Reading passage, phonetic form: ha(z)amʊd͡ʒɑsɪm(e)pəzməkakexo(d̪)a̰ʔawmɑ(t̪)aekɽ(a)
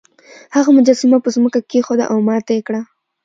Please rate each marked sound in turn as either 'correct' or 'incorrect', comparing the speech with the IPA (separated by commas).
incorrect, incorrect, correct, correct, correct